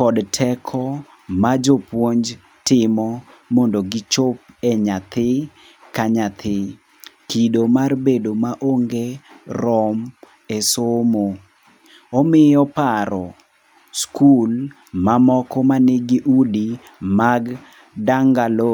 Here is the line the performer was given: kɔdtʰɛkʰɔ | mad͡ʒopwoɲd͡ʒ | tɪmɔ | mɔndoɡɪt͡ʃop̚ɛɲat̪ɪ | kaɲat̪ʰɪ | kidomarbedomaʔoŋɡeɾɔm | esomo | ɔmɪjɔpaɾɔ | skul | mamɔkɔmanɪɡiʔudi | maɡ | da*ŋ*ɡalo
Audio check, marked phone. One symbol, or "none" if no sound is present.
ŋ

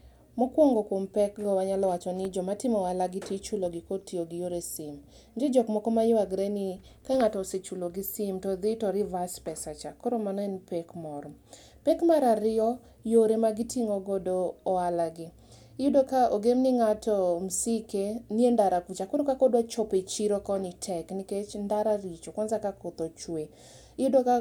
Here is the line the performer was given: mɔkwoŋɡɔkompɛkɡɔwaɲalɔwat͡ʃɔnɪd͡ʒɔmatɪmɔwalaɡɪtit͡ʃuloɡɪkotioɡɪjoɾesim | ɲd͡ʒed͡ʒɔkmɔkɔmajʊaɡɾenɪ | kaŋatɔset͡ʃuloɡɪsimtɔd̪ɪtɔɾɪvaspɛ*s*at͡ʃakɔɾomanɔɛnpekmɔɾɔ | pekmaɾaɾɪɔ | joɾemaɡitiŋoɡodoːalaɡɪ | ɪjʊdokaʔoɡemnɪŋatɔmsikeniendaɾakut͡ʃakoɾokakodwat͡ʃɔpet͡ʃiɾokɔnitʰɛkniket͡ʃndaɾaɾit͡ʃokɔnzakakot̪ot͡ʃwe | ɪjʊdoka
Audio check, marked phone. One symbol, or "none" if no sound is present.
s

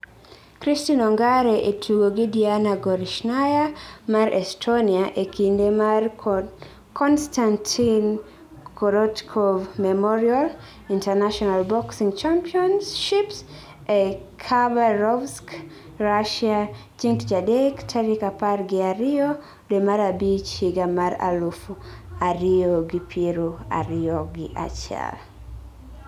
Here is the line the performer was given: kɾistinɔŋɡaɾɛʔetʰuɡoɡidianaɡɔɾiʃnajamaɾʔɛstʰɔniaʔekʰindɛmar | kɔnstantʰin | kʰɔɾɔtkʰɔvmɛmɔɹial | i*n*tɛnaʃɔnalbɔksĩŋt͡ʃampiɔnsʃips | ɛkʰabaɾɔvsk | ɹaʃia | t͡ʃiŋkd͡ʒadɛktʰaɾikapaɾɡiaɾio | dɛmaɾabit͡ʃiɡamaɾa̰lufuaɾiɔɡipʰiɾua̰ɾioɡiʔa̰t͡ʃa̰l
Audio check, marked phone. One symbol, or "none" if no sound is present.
n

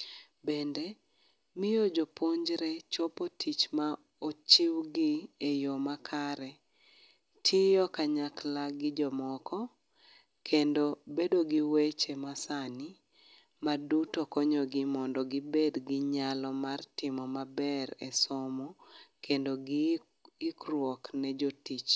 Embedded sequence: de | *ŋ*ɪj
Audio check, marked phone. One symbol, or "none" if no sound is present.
m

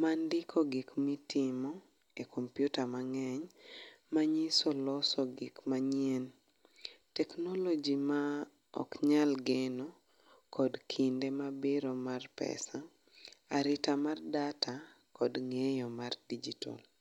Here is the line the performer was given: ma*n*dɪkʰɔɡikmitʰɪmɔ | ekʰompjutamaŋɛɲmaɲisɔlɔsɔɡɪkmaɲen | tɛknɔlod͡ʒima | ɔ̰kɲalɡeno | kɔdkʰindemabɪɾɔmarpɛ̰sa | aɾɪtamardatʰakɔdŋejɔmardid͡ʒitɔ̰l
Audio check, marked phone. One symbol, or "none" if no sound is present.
n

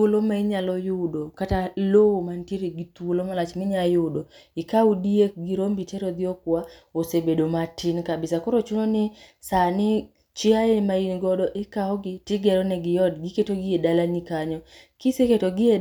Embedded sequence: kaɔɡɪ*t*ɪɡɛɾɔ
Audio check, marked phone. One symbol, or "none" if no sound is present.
t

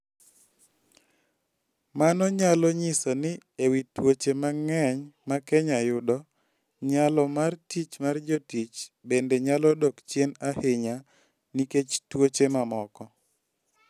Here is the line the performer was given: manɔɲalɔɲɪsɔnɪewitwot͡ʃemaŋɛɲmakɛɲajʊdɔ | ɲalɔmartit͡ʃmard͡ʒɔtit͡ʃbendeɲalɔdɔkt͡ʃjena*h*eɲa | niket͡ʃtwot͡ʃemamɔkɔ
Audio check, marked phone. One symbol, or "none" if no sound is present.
h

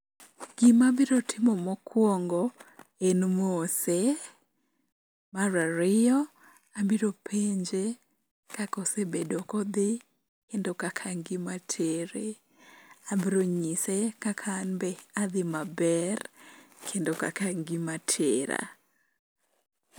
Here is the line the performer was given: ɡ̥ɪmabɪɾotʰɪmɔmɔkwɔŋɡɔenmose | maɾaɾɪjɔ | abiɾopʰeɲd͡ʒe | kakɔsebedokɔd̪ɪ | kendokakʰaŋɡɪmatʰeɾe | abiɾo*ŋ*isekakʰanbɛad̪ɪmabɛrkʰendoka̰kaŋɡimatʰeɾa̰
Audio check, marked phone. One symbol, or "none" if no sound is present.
ɲ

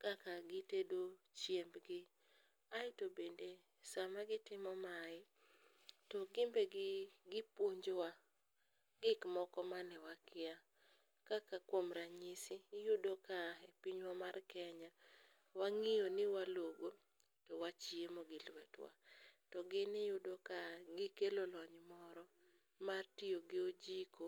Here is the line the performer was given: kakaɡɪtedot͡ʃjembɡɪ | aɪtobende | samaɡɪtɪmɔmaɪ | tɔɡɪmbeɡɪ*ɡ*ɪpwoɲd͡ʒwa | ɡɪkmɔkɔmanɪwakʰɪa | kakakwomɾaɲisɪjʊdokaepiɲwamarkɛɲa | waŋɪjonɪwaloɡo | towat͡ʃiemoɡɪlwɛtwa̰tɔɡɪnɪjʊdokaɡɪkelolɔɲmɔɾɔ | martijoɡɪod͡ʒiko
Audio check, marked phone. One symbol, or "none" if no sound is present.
ɡ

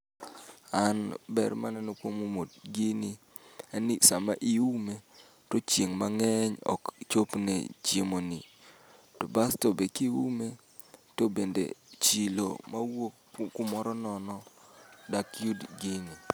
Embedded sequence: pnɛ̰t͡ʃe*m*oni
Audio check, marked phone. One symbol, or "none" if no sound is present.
m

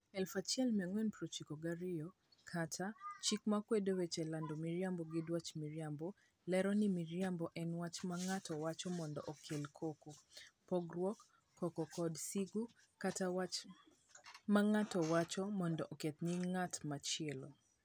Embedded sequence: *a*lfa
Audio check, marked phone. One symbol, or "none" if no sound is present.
ɛ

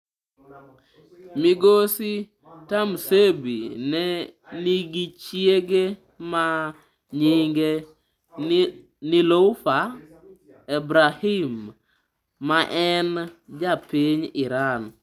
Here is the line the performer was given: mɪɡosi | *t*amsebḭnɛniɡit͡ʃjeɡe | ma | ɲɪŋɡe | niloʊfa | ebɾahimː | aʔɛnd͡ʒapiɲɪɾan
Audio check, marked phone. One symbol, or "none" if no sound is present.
t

